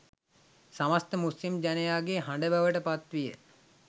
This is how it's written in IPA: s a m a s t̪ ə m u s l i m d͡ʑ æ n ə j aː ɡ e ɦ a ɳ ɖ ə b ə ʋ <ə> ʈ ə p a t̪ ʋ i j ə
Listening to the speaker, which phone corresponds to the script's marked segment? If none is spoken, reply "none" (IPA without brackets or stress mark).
ə